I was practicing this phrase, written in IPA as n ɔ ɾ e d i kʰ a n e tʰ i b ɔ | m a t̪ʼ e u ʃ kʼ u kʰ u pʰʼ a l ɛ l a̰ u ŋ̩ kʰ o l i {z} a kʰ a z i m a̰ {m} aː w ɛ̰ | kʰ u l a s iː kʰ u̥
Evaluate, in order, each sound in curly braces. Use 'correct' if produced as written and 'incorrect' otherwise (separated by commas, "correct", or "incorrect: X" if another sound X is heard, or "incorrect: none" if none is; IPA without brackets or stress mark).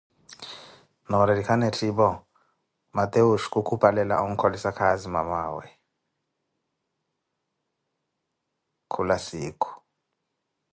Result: incorrect: s, correct